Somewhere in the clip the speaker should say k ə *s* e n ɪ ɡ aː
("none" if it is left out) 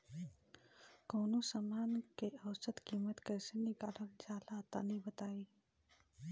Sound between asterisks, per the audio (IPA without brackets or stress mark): s